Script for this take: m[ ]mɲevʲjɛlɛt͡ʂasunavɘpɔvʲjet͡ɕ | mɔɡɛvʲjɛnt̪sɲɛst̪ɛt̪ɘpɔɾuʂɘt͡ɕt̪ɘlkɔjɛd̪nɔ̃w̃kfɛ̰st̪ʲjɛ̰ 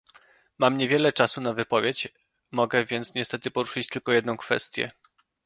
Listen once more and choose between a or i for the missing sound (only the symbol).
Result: a